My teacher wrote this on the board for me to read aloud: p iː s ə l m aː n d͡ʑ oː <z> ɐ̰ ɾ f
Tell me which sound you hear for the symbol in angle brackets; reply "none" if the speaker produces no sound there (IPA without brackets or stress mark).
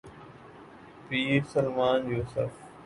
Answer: s